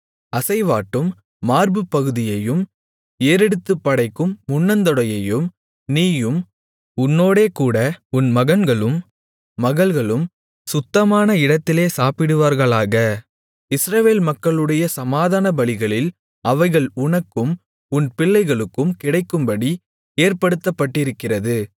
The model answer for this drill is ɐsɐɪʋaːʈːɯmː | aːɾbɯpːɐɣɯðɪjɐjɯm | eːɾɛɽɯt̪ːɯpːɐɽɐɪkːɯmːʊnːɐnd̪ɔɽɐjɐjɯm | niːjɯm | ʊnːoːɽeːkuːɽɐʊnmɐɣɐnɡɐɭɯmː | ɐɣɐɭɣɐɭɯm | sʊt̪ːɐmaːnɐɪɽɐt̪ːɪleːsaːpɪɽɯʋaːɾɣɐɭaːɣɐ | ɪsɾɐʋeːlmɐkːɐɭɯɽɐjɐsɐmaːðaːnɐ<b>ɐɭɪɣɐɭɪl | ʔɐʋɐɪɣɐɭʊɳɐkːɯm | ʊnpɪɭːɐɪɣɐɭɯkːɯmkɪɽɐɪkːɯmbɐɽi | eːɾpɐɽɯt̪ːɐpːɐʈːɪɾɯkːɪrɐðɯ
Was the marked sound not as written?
no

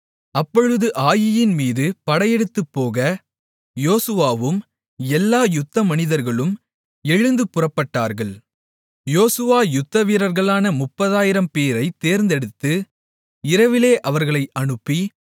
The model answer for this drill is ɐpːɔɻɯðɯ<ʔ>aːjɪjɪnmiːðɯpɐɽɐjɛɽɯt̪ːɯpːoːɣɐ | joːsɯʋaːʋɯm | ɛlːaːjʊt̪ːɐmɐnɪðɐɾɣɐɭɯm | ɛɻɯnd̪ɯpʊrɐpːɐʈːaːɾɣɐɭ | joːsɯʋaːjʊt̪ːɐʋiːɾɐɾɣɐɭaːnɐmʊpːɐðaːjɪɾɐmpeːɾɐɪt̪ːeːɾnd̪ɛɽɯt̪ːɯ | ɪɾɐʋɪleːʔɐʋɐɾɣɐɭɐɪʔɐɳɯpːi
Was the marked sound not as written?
no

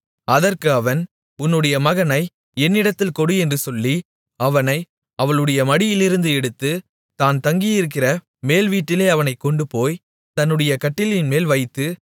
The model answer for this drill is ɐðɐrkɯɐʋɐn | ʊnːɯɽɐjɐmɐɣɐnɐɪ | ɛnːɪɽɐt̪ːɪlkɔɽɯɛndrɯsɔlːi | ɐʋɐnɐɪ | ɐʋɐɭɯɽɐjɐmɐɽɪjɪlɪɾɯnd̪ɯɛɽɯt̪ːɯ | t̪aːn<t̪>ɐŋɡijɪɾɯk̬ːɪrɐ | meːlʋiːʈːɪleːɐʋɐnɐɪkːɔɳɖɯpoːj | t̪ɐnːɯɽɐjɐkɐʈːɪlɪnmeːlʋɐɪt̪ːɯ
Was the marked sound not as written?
no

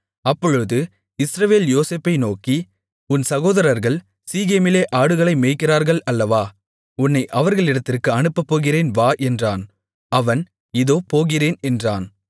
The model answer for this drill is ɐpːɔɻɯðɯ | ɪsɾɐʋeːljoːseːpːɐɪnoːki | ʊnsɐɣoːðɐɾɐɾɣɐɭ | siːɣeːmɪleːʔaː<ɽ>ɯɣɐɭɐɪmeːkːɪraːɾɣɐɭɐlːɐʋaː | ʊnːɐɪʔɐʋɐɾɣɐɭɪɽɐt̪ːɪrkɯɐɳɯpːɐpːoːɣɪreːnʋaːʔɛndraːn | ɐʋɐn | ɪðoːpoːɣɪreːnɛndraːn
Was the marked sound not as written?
no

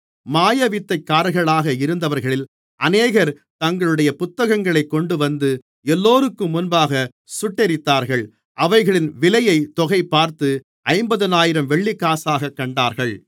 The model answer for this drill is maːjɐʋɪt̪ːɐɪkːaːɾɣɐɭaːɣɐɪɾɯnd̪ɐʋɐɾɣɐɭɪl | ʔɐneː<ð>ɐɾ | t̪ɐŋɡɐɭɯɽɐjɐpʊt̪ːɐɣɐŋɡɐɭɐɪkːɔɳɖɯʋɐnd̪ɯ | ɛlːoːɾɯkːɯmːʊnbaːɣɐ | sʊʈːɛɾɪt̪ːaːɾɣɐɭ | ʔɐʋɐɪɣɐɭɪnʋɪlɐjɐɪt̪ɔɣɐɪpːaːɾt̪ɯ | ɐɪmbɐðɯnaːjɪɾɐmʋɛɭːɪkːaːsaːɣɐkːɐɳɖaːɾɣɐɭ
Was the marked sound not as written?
yes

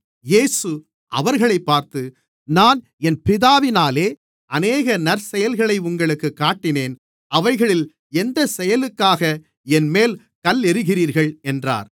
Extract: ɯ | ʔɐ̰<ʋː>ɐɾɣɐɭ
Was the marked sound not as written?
yes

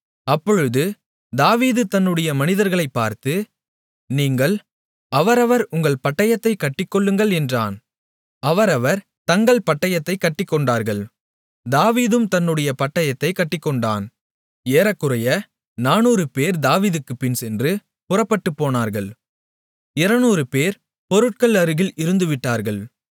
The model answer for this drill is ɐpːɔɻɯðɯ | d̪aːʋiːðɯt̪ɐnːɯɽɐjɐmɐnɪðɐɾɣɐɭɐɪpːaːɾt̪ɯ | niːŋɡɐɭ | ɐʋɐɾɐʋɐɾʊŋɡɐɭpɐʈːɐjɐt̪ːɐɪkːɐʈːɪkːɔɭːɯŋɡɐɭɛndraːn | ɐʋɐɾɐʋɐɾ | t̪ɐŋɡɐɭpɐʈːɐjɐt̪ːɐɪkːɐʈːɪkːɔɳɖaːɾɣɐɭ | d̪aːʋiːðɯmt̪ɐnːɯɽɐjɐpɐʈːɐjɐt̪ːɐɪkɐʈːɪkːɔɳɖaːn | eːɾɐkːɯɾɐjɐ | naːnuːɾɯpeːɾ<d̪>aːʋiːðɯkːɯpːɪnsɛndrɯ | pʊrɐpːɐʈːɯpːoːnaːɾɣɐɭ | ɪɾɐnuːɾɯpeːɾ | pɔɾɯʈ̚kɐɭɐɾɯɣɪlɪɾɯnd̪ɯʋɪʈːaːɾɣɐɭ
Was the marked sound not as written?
no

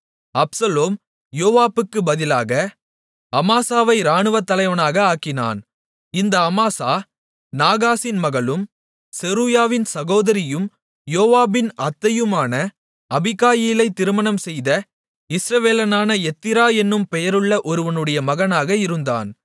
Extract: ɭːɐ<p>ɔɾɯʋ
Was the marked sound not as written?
yes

